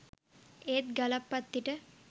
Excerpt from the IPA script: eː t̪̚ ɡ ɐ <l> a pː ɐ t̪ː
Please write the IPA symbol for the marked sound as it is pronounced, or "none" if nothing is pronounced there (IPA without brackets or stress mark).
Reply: l